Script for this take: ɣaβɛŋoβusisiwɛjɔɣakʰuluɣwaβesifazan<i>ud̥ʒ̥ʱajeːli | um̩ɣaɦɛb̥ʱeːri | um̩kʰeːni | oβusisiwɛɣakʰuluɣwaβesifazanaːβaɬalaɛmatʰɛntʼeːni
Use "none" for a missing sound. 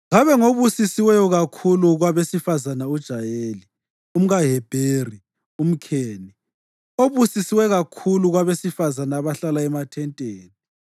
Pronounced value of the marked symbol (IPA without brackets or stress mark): a